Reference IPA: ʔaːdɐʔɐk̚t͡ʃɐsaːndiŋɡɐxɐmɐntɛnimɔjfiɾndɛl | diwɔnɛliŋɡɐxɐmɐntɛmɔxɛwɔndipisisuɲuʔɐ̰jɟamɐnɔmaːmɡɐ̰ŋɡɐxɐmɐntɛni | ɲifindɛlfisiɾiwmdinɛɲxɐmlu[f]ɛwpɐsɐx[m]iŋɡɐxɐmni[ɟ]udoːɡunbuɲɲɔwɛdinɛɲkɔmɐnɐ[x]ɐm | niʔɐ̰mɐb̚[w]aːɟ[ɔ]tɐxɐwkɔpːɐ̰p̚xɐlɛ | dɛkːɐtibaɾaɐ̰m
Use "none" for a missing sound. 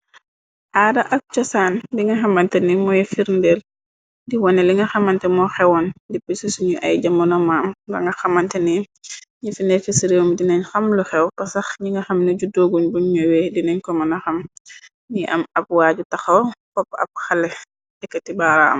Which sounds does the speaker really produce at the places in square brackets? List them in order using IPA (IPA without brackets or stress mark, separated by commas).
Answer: x, ɲ, ɟ, x, w, u